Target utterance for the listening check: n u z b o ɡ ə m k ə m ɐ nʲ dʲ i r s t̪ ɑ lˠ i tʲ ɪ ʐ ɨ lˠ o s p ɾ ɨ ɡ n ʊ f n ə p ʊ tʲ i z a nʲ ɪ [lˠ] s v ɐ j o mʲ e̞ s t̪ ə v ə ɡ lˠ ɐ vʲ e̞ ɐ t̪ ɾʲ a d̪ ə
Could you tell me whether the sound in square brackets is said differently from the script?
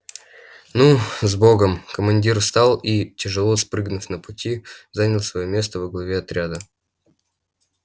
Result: no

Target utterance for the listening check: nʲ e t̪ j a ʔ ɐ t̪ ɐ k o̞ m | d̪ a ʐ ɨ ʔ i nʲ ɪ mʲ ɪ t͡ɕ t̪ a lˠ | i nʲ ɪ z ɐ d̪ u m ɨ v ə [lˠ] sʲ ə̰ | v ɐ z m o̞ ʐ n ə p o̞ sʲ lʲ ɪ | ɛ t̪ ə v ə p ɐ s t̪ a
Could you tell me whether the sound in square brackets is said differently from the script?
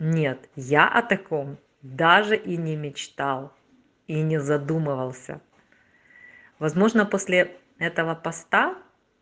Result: no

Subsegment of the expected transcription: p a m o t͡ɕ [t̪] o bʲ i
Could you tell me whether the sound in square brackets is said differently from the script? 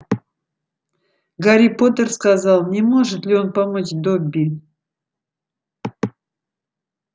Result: yes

